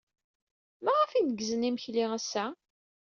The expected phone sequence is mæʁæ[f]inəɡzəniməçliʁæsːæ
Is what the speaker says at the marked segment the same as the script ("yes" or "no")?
yes